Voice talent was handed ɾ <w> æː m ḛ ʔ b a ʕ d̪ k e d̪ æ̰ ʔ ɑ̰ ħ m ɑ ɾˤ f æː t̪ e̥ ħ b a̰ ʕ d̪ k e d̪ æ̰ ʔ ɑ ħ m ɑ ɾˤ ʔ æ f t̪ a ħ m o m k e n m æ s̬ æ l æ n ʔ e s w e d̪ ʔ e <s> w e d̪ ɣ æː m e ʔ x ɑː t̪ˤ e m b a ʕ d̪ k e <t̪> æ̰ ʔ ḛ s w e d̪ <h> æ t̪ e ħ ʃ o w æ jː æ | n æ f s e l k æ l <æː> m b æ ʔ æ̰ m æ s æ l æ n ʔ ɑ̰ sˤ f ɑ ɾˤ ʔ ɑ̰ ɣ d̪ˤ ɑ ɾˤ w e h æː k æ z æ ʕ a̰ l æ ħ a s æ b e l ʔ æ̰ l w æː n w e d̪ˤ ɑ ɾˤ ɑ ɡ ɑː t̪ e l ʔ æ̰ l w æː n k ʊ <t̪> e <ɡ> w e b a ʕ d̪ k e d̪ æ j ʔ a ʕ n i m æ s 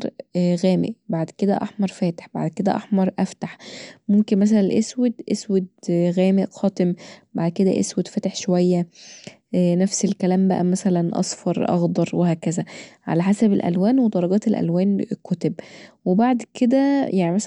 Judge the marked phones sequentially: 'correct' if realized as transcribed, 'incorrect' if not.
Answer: incorrect: ɣ, correct, incorrect: d̪, incorrect: f, correct, correct, incorrect: b

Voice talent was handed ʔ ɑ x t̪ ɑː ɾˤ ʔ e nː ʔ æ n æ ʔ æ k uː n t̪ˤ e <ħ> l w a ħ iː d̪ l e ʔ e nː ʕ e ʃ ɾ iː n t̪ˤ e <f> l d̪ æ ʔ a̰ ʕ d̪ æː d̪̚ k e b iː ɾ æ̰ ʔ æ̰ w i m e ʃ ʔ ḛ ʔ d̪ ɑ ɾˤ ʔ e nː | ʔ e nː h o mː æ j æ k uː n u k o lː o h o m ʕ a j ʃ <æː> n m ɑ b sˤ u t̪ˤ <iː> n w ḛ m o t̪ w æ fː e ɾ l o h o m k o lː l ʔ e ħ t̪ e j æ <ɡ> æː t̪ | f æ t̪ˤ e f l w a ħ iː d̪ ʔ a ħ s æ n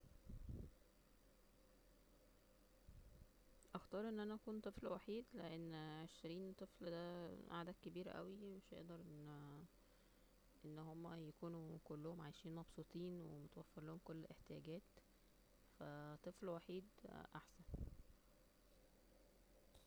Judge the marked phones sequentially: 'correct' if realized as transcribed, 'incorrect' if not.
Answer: incorrect: f, correct, incorrect: iː, correct, correct

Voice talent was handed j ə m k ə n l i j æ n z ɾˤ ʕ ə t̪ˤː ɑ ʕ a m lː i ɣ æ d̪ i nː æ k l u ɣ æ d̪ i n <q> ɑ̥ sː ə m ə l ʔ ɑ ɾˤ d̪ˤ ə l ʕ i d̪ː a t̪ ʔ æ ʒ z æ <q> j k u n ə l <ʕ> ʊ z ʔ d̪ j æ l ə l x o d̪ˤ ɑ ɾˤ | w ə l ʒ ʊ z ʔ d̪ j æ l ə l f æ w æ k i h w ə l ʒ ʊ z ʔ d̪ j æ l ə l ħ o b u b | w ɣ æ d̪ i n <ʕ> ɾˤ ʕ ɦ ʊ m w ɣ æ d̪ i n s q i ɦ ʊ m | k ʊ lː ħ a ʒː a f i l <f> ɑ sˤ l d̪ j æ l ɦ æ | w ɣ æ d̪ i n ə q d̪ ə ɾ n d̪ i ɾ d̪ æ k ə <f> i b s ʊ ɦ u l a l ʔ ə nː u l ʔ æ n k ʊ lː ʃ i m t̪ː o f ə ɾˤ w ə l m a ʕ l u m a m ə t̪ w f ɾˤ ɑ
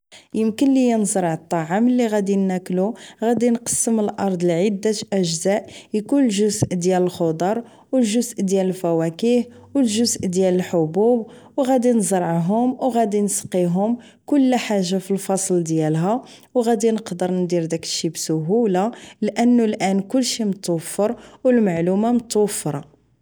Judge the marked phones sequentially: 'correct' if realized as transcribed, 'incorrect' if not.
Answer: correct, incorrect: ʔ, incorrect: ʒ, incorrect: z, correct, incorrect: ʃ

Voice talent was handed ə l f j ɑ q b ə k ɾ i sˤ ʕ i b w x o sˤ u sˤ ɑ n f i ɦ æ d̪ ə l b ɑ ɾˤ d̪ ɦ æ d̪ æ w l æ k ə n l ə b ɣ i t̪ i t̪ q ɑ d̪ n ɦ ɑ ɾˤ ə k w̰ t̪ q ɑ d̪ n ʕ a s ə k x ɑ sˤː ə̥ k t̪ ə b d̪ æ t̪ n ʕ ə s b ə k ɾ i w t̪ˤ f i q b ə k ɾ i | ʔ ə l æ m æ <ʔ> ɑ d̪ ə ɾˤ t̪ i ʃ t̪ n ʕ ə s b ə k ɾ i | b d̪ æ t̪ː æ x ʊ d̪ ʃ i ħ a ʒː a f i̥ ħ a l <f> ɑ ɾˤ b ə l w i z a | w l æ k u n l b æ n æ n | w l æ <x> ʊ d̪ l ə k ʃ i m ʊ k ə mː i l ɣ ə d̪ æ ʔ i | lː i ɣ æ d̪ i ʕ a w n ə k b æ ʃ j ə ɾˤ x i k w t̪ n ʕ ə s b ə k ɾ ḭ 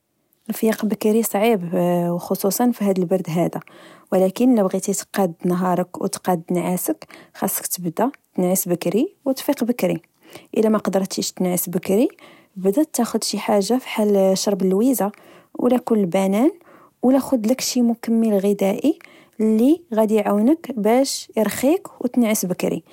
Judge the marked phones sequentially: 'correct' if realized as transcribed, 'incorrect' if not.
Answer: incorrect: q, incorrect: ʃ, correct

